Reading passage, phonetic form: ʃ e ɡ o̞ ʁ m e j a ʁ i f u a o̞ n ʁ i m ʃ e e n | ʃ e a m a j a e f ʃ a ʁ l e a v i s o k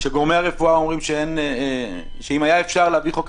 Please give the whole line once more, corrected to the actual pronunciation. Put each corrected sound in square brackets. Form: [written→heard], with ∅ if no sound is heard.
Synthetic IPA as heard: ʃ e ɡ o̞ ʁ m e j a ʁ [i→e] f u a o̞ [n→m] ʁ i m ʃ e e n | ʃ e [a→i] m a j a e f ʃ a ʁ l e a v i [s→χ] o k